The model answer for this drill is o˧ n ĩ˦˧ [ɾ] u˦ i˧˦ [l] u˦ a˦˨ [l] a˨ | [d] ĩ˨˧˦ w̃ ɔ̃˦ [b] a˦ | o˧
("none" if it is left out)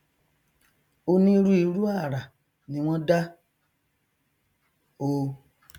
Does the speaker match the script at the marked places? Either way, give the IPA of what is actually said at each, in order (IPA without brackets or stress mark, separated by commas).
ɾ, ɾ, ɾ, n, d